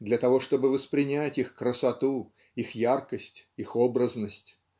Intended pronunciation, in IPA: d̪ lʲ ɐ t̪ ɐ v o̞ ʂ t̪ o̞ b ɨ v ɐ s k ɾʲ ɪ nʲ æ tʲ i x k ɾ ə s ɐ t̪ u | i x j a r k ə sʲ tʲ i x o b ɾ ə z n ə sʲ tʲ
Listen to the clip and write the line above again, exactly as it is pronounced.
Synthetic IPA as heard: d̪ lʲ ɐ t̪ ɐ v o̞ ʂ t̪ o̞ b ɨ v ə s p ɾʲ ɪ nʲ æ tʲ i x k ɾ ə s ɐ t̪ u | i x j a r k ə sʲ tʲ i x o b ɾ ə z n ə sʲ tʲ

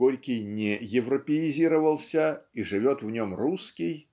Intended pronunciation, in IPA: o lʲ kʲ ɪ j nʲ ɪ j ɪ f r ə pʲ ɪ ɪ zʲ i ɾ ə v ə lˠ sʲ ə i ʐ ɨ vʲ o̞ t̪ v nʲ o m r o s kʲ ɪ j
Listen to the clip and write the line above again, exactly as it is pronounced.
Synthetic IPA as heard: o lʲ kʲ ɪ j nʲ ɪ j ɪ v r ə pʲ ɪ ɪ zʲ i ɾ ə v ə lˠ sʲ ə i ʐ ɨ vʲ o̞ t̪ v nʲ o m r u s kʲ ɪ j

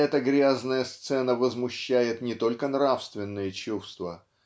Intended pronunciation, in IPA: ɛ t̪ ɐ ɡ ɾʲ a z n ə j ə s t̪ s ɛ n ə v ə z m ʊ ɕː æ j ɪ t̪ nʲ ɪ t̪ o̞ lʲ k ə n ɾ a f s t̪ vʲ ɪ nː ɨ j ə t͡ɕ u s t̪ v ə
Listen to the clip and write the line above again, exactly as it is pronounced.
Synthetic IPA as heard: ɛ t̪ ə ɡ ɾʲ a z n ə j ə s t̪ s ɛ n ə v ə z m ʊ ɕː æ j ɪ t̪ nʲ ɪ t̪ o̞ lʲ k ə n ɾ a f s t̪ vʲ ɪ nː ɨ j ə t͡ɕ u s t̪ v ə

